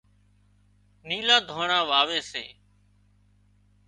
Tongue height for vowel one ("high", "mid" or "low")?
high